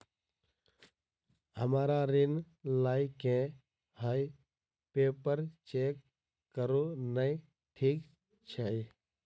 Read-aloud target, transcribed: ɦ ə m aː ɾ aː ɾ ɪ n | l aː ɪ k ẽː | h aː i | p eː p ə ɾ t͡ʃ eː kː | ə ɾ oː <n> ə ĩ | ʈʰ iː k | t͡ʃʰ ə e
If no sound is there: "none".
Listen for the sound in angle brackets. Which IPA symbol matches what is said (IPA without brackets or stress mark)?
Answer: n